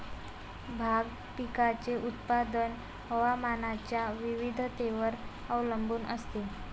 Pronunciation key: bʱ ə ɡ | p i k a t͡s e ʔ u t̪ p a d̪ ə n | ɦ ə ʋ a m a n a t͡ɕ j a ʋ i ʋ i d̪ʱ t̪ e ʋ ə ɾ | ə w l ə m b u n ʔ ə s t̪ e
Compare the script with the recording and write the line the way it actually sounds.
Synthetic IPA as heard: bʱ a ɡ | p i k a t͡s e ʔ u t̪ p a d̪ ə n | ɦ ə ʋ a m a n a t͡ɕ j a ʋ i ʋ i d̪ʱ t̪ e ʋ ə ɾ | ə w l ə m b uː n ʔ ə s t̪ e